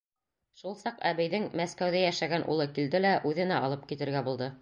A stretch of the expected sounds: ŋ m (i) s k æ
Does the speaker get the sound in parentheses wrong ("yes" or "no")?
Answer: yes